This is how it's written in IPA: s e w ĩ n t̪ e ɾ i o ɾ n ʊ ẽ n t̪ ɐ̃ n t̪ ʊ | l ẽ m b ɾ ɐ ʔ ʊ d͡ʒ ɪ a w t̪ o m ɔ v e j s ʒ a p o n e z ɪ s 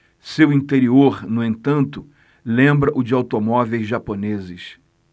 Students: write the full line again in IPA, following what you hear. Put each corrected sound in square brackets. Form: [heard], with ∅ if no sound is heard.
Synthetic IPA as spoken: s e w ĩ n t̪ e ɾ i o ɾ n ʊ ẽ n t̪ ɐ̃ n t̪ ʊ | l ẽ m b ɾ ɐ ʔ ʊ d͡ʒ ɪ a w t̪ o m ɔ v e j [z] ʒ a p o n e z ɪ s